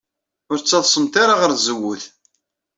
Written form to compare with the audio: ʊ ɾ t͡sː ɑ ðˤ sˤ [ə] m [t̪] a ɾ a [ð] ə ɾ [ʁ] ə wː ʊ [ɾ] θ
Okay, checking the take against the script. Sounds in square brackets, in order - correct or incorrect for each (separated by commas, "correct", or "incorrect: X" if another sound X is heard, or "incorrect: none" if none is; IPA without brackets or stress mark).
correct, correct, incorrect: ʁ, incorrect: z, incorrect: none